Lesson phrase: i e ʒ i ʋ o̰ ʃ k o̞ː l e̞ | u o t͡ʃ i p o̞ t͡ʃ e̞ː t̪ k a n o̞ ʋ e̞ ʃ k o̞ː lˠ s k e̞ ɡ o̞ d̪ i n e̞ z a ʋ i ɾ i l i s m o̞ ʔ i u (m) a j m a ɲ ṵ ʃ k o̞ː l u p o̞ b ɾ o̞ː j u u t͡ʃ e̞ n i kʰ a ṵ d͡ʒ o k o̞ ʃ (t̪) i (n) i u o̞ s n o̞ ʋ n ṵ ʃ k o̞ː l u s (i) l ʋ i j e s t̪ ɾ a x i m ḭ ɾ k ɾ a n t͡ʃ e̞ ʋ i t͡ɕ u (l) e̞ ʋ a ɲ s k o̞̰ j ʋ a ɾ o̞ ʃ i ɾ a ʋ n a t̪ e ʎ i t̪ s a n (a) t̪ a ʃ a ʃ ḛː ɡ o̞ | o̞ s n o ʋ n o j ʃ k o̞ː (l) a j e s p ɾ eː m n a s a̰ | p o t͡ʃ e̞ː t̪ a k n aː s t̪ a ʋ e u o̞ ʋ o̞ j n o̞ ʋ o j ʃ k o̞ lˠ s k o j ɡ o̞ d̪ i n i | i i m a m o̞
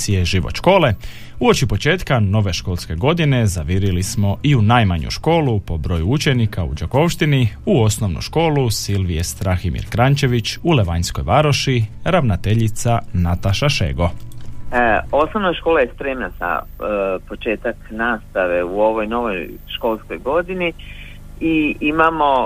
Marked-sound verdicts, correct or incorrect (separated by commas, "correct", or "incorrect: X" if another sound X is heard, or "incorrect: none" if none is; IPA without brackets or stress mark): incorrect: n, correct, correct, correct, correct, correct, correct